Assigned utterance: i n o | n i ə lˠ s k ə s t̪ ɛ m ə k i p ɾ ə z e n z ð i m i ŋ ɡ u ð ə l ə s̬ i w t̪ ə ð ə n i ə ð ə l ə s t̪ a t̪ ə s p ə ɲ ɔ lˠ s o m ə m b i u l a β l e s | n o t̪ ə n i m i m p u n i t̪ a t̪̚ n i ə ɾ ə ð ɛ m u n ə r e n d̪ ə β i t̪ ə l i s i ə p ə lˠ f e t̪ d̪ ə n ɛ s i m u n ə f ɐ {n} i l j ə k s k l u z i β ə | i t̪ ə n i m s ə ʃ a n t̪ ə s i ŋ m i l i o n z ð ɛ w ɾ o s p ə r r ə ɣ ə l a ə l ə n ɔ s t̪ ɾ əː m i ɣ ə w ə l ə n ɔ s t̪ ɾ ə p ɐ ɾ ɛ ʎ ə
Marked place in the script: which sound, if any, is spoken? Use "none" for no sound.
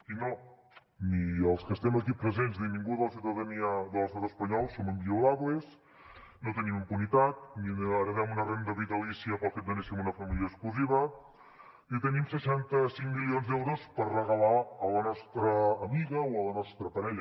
m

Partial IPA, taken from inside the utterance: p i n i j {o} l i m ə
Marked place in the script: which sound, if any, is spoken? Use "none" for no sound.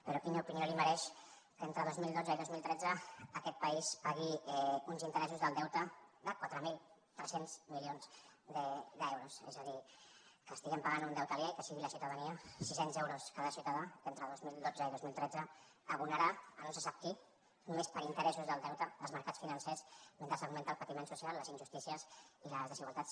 o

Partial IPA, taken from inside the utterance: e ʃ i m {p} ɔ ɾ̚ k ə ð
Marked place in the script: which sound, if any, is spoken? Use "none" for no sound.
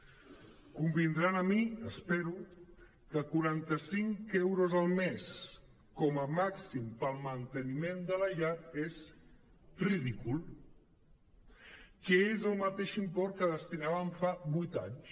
p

